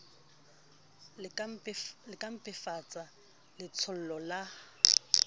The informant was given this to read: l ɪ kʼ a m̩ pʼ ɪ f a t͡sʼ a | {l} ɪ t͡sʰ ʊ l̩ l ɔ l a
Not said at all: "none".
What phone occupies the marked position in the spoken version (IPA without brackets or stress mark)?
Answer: l